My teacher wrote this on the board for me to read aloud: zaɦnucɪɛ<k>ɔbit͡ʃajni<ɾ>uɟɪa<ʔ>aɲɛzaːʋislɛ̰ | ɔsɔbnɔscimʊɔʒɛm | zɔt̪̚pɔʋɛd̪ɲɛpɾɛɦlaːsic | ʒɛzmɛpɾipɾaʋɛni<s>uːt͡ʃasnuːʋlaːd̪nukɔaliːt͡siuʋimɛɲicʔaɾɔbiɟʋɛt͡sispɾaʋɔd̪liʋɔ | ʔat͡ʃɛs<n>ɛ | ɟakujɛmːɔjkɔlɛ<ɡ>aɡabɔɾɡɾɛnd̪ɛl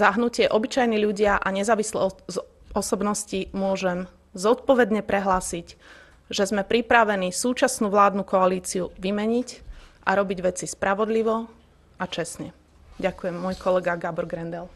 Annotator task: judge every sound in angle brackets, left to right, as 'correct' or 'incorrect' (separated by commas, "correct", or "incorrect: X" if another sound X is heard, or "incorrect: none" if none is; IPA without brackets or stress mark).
incorrect: ʔ, incorrect: ʎ, correct, correct, incorrect: ɲ, correct